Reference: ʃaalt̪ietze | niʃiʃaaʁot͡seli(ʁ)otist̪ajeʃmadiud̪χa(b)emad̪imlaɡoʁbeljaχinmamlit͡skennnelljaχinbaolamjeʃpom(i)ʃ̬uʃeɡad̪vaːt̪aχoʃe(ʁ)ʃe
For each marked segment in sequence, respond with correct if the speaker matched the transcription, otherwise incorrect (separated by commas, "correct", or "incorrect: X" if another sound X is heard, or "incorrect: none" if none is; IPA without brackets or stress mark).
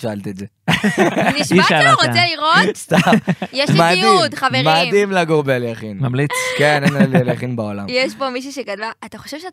correct, incorrect: v, correct, incorrect: v